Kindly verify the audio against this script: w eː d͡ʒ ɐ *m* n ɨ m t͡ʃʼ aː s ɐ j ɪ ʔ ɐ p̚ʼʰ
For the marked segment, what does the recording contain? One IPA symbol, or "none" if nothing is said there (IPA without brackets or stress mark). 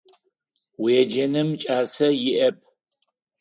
none